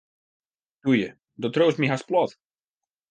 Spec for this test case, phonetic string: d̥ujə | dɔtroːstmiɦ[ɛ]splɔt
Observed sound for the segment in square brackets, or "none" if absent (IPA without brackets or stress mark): a